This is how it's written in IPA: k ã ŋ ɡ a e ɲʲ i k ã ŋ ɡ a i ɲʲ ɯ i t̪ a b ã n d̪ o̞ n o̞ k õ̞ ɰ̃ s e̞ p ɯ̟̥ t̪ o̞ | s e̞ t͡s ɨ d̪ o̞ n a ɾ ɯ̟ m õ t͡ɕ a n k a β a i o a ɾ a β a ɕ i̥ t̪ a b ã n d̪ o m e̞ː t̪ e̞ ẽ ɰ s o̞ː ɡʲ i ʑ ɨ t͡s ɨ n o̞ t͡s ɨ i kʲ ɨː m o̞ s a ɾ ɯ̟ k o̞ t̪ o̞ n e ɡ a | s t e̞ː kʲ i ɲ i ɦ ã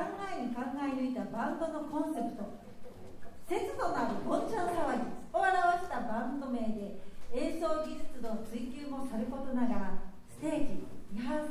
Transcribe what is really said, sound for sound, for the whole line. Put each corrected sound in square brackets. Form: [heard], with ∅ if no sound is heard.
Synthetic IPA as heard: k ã ŋ ɡ a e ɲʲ i k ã ŋ ɡ a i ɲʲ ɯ i t̪ a b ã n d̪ o̞ n o̞ k õ̞ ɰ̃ s e̞ p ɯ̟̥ t̪ o̞ | s e̞ t͡s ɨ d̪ o̞ n a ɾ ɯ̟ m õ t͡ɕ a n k a β a i o a ɾ a β a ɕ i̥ t̪ a b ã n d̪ o m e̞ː [d̪] e̞ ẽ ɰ s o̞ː ɡʲ i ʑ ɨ t͡s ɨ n o̞ t͡s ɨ i kʲ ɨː m o̞ s a ɾ ɯ̟ k o̞ t̪ o̞ n [a] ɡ a | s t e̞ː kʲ i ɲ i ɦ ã

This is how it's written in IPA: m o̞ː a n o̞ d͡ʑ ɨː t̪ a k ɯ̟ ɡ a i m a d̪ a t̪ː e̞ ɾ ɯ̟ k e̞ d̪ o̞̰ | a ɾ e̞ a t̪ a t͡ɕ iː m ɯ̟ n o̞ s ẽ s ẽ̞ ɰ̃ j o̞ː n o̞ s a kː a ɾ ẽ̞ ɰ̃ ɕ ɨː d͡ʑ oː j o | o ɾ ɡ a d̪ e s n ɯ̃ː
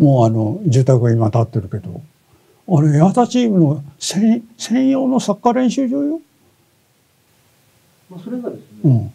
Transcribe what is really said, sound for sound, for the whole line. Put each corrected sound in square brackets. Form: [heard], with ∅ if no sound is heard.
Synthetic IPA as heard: m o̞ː a n o̞ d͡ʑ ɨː t̪ a k ɯ̟ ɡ a i m a [t̪] a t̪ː e̞ ɾ ɯ̟ k e̞ d̪ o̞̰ | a ɾ e̞ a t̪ a t͡ɕ iː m ɯ̟ n o̞ s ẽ s ẽ̞ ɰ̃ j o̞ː n o̞ s a kː a ɾ ẽ̞ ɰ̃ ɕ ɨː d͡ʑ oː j o | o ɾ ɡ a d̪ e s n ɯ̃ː

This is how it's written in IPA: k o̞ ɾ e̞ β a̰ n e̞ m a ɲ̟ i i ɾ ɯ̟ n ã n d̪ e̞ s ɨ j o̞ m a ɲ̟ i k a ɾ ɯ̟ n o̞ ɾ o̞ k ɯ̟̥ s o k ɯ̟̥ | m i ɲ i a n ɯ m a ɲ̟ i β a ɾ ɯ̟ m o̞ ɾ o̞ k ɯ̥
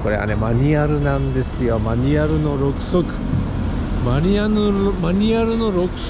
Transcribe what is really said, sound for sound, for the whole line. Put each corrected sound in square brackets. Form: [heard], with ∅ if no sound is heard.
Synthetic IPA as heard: k o̞ ɾ e̞ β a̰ n e̞ m a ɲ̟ i [a] ɾ ɯ̟ n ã n d̪ e̞ s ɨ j o̞ m a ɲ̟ i [∅] a ɾ ɯ̟ n o̞ ɾ o̞ k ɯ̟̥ s o k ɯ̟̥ | m [a] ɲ i a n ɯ m a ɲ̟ i [∅] a ɾ ɯ̟ [n] o̞ ɾ o̞ k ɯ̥

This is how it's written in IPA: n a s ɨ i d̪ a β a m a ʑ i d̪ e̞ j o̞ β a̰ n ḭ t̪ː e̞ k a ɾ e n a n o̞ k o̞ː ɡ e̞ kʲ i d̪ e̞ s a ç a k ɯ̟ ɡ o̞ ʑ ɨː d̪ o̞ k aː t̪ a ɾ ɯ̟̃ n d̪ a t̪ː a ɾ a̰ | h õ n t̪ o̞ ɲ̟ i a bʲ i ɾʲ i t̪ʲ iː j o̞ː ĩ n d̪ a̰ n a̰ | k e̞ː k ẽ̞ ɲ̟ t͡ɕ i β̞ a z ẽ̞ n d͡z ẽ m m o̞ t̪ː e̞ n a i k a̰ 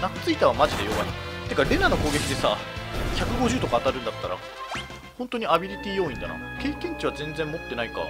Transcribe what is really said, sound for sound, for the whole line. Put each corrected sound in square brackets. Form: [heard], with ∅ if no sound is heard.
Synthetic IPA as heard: n a [t͡s] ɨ i [t̪] a β a m a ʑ i d̪ e̞ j o̞ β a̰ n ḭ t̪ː e̞ k a ɾ e n a n o̞ k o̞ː ɡ e̞ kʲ i d̪ e̞ s a ç a k ɯ̟ ɡ o̞ ʑ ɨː [t̪] o̞ k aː t̪ a ɾ ɯ̟̃ n d̪ a t̪ː a ɾ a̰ | h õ n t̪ o̞ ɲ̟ i a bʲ i ɾʲ i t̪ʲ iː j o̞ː ĩ n d̪ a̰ n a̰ | k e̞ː k ẽ̞ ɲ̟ t͡ɕ i β̞ a z ẽ̞ n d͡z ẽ m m o̞ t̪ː e̞ n a i k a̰

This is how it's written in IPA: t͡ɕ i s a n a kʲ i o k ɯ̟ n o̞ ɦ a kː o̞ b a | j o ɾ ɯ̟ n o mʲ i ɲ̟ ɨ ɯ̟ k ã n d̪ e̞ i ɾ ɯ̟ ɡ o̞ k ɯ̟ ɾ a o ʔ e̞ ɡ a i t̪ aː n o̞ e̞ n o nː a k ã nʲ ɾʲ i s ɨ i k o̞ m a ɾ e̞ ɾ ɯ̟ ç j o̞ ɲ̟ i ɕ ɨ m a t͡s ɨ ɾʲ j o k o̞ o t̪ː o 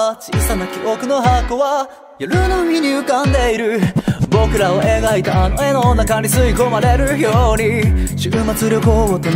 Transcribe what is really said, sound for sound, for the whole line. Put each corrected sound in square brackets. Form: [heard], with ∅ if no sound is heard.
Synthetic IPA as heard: t͡ɕ i s a n a kʲ i o k ɯ̟ n o̞ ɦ a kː o̞ [β] a | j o ɾ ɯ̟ n o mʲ i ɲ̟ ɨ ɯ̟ k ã n d̪ e̞ i ɾ ɯ̟ [b] o̞ k ɯ̟ ɾ a o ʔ e̞ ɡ a i t̪ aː n o̞ e̞ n o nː a k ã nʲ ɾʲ i s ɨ i k o̞ m a ɾ e̞ ɾ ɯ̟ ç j o̞ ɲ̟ i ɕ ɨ m a t͡s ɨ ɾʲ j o k o̞ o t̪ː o

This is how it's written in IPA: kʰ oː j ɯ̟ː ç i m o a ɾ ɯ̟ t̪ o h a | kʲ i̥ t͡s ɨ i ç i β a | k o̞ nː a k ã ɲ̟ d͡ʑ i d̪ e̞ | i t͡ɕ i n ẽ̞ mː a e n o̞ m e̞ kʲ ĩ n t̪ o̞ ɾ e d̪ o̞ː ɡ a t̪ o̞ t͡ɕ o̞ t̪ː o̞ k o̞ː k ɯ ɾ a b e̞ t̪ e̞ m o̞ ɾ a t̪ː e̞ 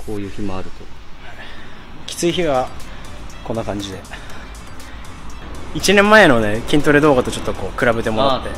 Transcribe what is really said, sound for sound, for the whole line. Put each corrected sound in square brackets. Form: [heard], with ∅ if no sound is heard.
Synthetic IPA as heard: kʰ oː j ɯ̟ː ç i m o a ɾ ɯ̟ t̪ o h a | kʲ i̥ t͡s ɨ i ç i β a | k o̞ nː a k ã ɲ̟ d͡ʑ i d̪ e̞ | i t͡ɕ i n ẽ̞ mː a e n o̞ [n] e̞ kʲ ĩ n t̪ o̞ ɾ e d̪ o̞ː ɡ a t̪ o̞ t͡ɕ o̞ t̪ː o̞ k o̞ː k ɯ ɾ a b e̞ t̪ e̞ m o̞ ɾ a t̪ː e̞

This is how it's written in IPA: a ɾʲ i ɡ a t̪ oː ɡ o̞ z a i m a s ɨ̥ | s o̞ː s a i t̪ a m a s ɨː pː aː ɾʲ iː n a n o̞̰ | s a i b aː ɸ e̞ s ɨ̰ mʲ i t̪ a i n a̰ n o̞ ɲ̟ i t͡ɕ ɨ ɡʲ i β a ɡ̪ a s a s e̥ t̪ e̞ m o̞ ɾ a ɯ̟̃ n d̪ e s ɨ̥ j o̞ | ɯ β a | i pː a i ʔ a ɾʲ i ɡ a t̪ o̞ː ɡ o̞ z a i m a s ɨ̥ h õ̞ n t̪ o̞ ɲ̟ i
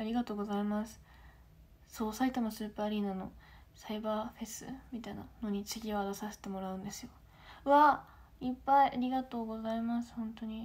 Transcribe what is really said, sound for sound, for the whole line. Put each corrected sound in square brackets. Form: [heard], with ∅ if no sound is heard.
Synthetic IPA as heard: a ɾʲ i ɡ a t̪ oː ɡ o̞ z a i m a s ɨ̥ | s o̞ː s a i t̪ a m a s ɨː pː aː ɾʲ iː n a n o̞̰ | s a i b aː ɸ e̞ s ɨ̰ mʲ i t̪ a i n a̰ n o̞ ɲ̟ i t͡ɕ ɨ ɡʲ i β a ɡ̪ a s a s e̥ t̪ e̞ m o̞ ɾ a ɯ̟̃ n d̪ e s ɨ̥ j o̞ | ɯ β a | i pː a i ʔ a ɾʲ i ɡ a t̪ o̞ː ɡ o̞ z a i m a s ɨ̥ h õ̞ n t̪ o̞ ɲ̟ i

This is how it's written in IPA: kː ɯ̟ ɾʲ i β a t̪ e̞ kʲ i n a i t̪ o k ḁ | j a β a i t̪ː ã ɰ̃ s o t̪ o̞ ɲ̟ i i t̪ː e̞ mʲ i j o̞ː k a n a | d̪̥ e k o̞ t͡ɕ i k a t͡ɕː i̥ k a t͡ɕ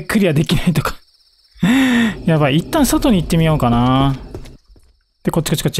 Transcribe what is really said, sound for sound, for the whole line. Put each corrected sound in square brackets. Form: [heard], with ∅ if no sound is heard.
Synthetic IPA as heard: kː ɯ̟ ɾʲ i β a [d̪] e̞ kʲ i n a i t̪ o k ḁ | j a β a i t̪ː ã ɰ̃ s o t̪ o̞ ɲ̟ i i t̪ː e̞ mʲ i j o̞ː k a n a | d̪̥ e k o̞ t͡ɕ i k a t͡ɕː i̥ k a t͡ɕ

